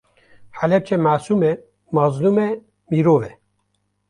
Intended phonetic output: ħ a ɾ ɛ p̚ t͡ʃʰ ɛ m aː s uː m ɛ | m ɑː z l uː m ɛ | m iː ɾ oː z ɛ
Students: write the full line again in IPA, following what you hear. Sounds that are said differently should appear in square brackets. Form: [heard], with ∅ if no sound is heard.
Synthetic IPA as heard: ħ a [l] ɛ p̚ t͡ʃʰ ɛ m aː s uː m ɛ | m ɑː z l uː m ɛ | m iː ɾ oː [v] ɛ